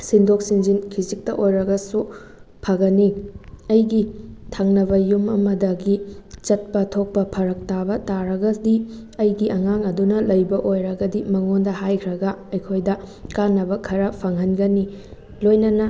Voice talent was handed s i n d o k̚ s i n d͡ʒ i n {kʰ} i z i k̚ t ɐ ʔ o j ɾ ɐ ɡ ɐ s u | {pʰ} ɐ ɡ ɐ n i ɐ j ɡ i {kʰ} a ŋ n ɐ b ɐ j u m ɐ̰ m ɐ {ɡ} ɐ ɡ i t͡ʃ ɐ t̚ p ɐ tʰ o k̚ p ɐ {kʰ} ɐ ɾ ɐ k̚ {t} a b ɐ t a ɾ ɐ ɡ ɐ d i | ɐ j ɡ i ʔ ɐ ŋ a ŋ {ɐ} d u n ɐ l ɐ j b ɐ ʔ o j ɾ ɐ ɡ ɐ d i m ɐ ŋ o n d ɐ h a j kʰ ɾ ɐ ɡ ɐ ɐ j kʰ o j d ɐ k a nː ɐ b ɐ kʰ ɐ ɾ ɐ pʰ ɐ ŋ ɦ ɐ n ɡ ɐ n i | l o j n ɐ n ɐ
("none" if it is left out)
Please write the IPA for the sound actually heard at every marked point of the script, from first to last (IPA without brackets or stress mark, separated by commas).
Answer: kʰ, pʰ, tʰ, d, pʰ, t, ɐ